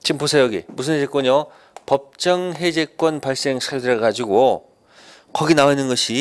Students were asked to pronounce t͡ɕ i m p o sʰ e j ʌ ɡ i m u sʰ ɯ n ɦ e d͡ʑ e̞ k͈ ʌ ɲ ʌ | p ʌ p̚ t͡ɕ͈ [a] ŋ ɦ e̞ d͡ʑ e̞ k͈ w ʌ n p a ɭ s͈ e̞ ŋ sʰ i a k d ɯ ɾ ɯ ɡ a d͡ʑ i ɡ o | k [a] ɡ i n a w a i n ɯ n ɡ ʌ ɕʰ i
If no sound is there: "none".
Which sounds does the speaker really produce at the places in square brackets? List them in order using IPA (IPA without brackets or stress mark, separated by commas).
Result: ʌ, ʌ